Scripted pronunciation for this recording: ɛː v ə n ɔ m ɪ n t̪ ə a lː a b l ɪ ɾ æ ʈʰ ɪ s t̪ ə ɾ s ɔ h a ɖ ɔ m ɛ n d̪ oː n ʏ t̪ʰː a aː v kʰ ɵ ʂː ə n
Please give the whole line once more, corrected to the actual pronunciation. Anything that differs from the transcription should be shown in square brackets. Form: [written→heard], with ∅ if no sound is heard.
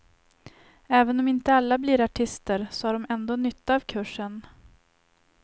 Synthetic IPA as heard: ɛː v ə n ɔ m ɪ n t̪ ə a lː a b l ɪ ɾ [æ→a] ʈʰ ɪ s t̪ ə ɾ s ɔ h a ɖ ɔ m ɛ n d̪ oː n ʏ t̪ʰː a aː v kʰ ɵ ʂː ə n